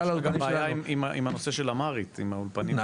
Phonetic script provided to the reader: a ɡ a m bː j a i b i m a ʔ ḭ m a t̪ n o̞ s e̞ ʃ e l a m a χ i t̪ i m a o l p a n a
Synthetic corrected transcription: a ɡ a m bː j a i m i m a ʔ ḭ m a n o̞ s e̞ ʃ e l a m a ʁ i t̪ i m a u l p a n i